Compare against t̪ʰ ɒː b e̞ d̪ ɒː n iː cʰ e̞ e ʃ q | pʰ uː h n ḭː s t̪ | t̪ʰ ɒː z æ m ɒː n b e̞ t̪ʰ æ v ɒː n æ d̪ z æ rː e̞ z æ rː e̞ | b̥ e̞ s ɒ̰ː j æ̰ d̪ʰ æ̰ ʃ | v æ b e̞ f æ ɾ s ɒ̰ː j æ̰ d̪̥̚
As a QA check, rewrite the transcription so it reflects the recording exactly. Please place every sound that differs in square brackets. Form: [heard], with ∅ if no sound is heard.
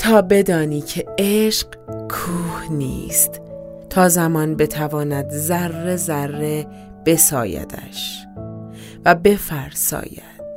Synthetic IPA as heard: t̪ʰ ɒː b e̞ d̪ ɒː n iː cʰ e̞ e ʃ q | [kʰ] uː h n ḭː s t̪ | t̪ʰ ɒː z æ m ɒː n b e̞ t̪ʰ æ v ɒː n æ d̪ z æ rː e̞ z æ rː e̞ | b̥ e̞ s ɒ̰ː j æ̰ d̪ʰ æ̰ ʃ | v æ b e̞ f æ ɾ s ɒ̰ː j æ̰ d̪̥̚